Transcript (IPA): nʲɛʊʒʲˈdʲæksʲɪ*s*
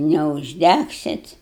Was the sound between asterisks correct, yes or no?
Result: no